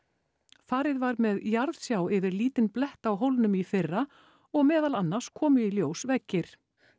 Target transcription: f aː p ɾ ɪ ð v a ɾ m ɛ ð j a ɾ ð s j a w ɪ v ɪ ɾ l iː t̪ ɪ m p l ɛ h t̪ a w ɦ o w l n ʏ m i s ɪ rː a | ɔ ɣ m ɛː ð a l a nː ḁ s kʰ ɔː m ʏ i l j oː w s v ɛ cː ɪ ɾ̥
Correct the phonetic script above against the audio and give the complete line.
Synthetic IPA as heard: f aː ɾ ɪ ð v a ɾ m ɛ ð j a ɾ ð s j a w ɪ v ɪ ɾ l iː t̪ ɪ n p l ɛ h t̪ a w ɦ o w l n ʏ m i f ɪ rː a | ɔ ɣ m ɛː ð a l a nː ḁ s kʰ ɔː m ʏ i l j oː w s v ɛ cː ɪ ɾ̥